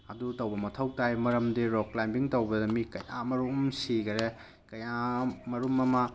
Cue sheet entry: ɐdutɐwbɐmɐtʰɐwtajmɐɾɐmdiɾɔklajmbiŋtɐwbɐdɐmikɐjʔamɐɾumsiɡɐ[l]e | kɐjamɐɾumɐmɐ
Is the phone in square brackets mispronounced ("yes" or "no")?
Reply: yes